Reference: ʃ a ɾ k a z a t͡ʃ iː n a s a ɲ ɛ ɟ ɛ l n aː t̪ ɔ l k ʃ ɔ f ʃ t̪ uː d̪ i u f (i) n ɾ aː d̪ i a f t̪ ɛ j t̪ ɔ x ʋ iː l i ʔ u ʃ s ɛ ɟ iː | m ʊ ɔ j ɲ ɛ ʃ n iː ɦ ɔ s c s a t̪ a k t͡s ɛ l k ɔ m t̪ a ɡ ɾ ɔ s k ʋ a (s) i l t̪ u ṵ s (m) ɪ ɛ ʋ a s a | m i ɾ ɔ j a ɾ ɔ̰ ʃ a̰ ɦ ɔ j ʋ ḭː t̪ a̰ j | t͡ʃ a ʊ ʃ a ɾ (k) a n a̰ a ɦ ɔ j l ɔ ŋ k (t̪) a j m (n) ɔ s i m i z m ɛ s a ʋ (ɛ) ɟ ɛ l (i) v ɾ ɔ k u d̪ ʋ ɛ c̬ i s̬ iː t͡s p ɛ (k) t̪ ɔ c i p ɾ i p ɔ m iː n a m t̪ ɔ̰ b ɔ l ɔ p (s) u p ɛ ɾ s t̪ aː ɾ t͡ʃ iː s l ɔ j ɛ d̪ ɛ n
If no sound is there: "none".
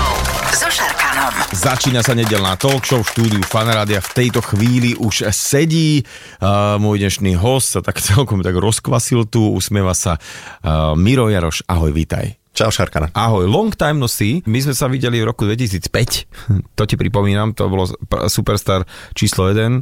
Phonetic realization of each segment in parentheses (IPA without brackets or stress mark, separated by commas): a, s, m, k, t̪, n, i, i, c, s